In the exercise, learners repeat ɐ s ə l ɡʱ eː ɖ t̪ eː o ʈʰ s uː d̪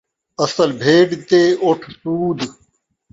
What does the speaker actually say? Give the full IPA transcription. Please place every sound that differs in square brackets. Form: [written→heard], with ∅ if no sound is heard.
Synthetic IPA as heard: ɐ s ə l [ɡʱ→bʱ] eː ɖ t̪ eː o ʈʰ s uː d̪